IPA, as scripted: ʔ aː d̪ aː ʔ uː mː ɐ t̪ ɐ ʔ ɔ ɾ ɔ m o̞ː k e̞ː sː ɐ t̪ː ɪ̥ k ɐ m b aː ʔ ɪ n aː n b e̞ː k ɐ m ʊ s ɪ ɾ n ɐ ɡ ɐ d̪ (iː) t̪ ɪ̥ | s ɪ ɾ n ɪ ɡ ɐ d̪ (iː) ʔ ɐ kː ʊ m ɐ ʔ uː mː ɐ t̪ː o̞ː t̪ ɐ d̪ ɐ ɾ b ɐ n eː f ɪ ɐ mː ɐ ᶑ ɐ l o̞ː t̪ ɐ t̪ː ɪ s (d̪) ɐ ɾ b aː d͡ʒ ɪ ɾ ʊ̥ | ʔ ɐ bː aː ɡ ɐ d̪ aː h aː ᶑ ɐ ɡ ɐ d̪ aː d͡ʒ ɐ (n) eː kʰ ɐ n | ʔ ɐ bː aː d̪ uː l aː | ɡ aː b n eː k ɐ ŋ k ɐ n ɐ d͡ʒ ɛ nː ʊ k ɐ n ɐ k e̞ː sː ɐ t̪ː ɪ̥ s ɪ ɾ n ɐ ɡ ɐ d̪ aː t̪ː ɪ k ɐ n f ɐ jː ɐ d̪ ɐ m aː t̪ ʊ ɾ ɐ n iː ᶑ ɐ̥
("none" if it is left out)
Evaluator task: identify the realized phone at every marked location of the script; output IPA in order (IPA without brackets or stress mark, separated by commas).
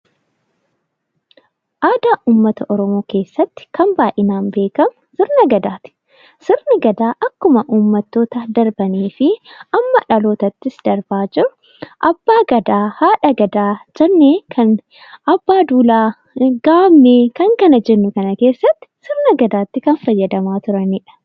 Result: aː, aː, d̪, nː